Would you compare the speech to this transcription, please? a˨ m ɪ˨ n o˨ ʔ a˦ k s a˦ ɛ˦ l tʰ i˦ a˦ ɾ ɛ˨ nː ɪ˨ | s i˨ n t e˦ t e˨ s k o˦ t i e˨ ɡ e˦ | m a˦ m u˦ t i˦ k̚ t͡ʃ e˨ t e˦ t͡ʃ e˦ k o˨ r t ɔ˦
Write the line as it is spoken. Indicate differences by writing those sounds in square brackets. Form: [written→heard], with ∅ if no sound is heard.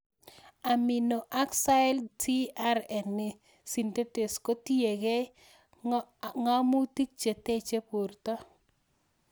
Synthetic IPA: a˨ m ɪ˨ n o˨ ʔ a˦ k s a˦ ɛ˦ l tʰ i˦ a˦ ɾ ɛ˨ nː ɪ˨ | s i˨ n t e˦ t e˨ s k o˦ t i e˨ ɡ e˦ | [m→ŋ] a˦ m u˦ t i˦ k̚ t͡ʃ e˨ t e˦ t͡ʃ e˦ [k→p] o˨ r t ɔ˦